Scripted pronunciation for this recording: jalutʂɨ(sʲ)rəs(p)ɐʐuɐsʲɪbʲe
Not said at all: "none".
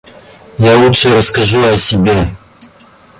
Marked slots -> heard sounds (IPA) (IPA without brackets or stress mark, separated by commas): none, k